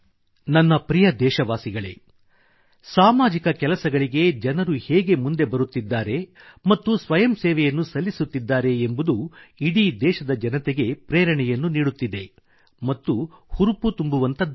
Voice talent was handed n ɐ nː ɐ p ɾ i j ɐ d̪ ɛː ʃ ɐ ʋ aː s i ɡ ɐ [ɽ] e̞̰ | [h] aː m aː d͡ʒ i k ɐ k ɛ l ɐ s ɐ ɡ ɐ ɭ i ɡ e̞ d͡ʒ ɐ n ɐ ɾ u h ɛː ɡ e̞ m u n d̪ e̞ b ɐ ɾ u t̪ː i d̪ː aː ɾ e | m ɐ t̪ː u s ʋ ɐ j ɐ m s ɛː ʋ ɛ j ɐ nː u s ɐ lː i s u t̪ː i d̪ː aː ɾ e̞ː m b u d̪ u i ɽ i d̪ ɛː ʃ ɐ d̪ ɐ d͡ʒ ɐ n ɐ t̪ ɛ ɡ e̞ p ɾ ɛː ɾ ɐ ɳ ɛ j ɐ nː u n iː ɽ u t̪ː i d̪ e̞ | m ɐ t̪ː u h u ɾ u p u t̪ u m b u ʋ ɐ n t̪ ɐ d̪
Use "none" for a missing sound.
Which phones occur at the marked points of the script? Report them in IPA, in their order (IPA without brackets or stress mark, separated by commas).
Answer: ɭ, s